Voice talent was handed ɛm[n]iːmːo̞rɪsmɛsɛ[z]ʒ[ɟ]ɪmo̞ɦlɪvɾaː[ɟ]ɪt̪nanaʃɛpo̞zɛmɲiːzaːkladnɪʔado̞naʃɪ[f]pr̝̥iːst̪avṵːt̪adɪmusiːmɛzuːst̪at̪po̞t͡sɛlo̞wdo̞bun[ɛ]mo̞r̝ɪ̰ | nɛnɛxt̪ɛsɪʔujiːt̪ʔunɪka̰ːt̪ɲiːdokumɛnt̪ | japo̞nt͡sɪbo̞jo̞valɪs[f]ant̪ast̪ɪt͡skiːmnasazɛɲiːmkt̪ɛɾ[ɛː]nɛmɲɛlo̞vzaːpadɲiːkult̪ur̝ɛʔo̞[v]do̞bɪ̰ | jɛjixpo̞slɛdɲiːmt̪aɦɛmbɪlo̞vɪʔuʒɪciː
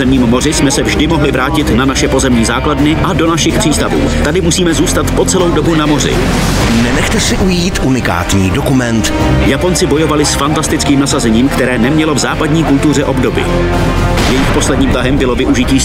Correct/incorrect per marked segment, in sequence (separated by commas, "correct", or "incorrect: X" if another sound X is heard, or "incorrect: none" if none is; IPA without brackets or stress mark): incorrect: ɲ, incorrect: v, incorrect: d, incorrect: c, incorrect: x, incorrect: a, correct, correct, incorrect: b